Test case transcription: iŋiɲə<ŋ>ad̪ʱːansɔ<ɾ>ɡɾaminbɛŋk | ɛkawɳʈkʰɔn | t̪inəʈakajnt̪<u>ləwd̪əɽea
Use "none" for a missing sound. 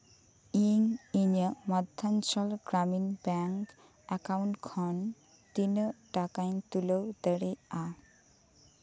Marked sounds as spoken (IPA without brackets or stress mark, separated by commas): m, l, u